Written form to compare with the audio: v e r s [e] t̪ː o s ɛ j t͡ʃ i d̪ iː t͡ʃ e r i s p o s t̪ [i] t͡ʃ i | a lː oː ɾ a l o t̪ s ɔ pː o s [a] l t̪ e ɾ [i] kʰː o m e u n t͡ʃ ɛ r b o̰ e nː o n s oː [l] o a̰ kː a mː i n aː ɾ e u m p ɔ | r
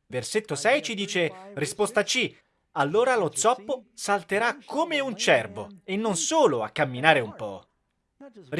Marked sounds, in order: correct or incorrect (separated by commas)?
correct, incorrect, correct, incorrect, correct